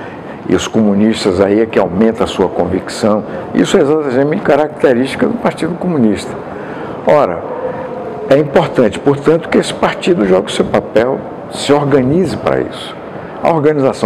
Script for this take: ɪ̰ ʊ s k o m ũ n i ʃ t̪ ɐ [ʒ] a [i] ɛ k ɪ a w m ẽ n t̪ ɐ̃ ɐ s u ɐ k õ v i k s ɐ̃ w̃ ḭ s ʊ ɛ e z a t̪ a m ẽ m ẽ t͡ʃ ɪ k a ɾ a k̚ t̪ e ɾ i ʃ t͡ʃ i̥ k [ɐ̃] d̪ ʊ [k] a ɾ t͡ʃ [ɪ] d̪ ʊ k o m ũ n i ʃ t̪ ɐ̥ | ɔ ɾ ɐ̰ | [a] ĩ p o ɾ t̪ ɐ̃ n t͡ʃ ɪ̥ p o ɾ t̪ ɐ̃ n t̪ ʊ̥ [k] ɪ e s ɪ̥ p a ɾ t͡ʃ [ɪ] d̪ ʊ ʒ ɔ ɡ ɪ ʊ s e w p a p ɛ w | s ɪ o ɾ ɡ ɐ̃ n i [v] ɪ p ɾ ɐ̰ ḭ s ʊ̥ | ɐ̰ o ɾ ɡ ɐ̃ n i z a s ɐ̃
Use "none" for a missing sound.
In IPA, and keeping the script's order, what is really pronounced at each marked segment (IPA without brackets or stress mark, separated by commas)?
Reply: z, i, ɐ, p, i, ɛ, k, i, z